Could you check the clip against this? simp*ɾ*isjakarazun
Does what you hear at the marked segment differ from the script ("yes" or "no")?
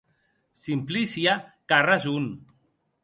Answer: yes